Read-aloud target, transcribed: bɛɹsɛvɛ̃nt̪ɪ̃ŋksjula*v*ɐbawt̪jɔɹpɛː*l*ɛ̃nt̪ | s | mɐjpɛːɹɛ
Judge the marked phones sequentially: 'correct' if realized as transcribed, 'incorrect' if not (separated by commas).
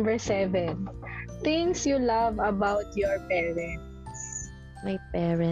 correct, incorrect